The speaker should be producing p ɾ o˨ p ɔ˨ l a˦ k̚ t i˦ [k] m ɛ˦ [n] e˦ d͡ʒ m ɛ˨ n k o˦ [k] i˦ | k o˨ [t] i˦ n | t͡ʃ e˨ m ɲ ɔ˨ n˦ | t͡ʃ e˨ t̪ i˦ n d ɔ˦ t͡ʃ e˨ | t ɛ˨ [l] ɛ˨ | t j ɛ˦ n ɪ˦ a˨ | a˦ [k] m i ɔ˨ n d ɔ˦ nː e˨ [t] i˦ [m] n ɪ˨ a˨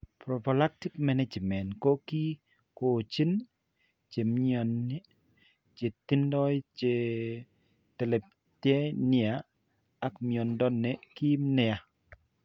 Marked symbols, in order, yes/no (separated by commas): yes, yes, yes, no, yes, yes, no, yes